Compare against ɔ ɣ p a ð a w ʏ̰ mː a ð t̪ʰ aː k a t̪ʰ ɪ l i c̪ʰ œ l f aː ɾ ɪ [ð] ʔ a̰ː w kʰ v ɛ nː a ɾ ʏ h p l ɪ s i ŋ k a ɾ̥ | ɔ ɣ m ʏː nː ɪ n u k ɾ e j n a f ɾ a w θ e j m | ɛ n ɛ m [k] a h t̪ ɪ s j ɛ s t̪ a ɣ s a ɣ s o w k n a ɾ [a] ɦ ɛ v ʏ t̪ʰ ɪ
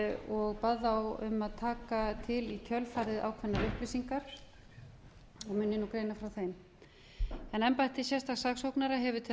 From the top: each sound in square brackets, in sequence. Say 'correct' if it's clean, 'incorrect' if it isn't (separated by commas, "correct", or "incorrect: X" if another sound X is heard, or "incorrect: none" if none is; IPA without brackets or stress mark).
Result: correct, incorrect: p, correct